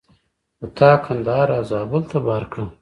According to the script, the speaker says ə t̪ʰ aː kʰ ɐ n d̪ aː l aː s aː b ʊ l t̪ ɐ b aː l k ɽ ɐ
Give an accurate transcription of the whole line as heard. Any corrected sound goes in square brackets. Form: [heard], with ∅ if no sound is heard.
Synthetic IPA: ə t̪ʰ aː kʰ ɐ n d̪ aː [ɾ] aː [z] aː b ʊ l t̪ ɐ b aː [ɾ] k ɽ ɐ